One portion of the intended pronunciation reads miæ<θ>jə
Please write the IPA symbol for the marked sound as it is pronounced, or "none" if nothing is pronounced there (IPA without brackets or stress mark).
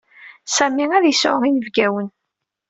ð